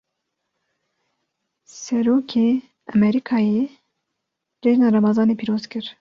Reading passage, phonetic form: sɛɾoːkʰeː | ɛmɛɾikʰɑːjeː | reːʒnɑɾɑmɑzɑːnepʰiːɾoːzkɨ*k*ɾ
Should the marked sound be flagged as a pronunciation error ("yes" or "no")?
yes